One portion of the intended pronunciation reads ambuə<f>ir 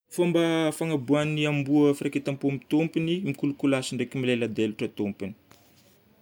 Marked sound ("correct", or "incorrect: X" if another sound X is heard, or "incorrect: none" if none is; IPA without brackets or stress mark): correct